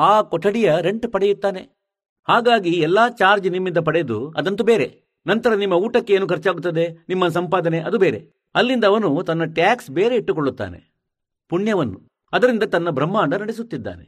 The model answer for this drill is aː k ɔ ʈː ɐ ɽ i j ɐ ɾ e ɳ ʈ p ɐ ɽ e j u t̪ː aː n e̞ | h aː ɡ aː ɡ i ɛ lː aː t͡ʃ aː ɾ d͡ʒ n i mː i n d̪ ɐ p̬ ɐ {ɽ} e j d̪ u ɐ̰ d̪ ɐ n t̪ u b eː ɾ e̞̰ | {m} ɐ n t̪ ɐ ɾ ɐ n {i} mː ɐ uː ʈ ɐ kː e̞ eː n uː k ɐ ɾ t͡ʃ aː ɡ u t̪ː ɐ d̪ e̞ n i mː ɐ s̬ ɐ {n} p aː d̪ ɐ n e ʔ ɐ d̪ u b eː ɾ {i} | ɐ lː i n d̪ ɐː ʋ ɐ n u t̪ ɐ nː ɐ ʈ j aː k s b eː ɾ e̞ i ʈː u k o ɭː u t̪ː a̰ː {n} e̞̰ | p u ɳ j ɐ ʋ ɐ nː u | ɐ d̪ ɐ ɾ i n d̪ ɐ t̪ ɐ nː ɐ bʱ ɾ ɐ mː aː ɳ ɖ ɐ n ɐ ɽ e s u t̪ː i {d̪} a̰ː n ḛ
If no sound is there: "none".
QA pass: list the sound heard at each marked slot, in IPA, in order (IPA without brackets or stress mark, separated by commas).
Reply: ɽ, n, i, m, e, n, d̪ː